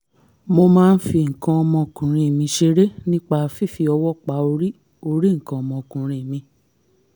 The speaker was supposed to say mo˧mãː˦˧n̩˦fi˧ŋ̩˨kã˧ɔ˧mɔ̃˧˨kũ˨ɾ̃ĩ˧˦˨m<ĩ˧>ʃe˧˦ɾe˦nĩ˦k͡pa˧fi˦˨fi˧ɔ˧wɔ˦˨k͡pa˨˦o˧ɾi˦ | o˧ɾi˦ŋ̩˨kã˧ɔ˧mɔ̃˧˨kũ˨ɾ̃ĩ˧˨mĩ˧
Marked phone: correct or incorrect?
correct